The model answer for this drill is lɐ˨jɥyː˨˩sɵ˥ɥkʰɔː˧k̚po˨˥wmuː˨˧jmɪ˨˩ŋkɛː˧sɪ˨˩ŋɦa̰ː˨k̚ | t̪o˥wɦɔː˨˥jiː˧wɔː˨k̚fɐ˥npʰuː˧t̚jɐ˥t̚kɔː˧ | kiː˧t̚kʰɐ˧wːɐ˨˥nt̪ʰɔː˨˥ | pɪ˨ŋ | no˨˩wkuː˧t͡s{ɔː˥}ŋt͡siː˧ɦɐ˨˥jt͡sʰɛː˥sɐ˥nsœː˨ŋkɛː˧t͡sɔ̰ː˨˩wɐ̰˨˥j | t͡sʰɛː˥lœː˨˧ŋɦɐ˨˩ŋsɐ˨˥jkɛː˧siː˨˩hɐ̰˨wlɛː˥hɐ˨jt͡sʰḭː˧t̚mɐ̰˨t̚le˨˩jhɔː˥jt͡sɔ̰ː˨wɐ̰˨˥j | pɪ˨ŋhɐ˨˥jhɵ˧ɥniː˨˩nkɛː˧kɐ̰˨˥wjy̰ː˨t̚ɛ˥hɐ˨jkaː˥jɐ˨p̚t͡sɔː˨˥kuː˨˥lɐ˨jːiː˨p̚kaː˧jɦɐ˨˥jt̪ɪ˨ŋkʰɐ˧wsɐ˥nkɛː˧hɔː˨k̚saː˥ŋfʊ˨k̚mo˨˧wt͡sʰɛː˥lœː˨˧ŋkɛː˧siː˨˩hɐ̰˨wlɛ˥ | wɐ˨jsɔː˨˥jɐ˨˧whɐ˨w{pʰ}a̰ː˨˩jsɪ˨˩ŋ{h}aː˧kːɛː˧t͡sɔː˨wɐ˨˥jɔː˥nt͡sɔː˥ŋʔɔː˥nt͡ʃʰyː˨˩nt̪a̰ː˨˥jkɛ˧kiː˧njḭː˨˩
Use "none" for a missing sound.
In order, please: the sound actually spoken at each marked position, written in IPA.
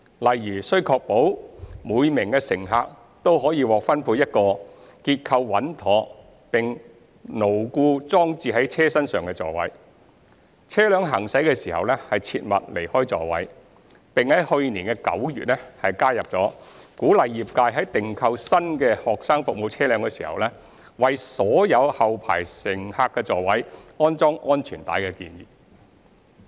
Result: ɔː˥, pʰ, h

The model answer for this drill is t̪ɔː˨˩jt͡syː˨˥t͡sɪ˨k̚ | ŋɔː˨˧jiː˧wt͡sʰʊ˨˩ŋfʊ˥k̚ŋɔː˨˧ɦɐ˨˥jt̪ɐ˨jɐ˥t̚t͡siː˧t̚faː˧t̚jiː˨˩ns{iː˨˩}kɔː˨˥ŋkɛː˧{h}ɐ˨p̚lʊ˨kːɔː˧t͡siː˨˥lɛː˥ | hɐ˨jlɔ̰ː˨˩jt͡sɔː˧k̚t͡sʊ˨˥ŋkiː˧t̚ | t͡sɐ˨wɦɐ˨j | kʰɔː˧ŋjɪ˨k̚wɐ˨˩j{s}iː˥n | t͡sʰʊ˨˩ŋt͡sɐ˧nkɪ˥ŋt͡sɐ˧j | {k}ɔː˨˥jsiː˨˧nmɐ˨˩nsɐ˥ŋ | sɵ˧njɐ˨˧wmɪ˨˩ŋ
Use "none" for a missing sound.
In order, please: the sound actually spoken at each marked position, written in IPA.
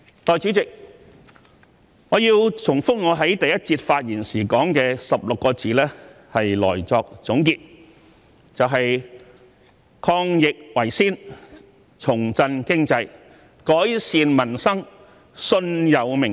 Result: iː˨˩, s, s, k

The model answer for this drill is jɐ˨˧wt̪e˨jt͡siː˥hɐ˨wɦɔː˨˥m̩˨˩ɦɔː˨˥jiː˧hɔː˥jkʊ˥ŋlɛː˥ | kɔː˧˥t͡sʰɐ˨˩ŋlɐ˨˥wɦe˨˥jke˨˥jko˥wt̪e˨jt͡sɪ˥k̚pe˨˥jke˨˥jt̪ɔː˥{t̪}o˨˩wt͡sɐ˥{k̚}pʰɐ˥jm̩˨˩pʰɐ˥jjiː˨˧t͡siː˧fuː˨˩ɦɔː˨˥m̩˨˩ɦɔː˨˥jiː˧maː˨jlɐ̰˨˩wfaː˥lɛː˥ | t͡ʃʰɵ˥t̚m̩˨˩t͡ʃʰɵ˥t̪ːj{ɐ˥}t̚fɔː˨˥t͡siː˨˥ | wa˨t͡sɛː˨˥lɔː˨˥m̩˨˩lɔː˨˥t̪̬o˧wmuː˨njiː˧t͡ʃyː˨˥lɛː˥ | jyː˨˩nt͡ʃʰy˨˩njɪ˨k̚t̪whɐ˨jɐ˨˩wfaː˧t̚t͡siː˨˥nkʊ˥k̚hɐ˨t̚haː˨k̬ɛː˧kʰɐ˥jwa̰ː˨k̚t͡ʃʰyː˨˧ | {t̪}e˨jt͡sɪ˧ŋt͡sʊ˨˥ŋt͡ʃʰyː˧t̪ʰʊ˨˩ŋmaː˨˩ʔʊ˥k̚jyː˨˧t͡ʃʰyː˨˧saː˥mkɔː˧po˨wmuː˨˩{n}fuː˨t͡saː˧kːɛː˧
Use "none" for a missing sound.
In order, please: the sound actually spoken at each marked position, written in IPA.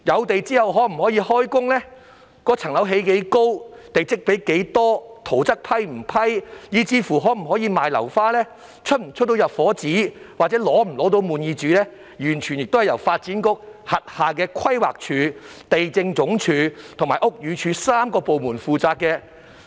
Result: t̪ʰ, k̚, ɐ˨, t̪, n

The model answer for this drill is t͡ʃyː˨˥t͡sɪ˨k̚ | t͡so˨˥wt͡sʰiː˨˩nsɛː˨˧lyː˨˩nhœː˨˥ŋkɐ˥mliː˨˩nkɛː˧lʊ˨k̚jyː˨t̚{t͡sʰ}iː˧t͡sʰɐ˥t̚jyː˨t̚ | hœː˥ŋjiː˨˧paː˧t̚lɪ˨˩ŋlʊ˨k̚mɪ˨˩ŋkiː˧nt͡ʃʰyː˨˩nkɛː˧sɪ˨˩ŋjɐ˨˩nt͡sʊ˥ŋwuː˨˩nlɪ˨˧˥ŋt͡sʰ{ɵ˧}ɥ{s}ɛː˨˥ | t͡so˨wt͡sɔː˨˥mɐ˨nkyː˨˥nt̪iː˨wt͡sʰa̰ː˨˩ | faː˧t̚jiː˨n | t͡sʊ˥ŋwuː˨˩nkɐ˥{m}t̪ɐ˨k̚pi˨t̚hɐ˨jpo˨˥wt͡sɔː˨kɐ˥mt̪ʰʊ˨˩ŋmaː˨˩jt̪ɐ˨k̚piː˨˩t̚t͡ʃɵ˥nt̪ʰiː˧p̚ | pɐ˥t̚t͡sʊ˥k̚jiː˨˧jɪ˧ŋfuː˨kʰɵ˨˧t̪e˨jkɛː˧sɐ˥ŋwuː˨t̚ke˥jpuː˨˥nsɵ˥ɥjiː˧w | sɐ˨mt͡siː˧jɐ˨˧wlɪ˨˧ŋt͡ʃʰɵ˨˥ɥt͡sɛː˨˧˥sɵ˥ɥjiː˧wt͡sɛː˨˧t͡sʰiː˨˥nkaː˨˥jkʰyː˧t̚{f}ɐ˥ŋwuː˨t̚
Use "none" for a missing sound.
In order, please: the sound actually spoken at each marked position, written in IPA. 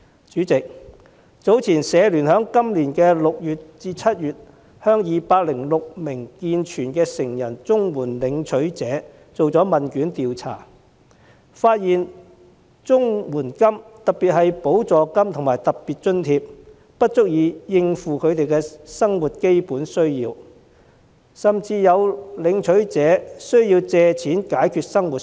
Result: t͡s, ɵ˨˥, t͡s, m, s

